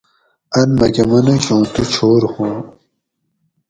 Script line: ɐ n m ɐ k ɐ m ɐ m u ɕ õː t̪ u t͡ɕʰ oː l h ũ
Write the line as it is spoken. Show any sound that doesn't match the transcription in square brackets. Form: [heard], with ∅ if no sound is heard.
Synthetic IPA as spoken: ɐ n m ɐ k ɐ m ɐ [n] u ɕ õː t̪ u t͡ɕʰ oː [ɾ] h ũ